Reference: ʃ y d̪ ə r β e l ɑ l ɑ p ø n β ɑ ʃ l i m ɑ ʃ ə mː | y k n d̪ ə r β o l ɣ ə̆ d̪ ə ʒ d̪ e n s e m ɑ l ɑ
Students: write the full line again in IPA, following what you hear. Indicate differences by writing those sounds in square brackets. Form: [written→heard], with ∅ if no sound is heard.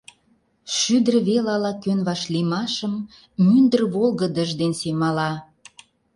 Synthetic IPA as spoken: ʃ y d̪ ə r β e l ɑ l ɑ [p→k] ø n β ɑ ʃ l i m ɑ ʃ ə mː | y [k→∅] n d̪ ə r β o l ɣ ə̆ d̪ ə ʒ d̪ e n s e m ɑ l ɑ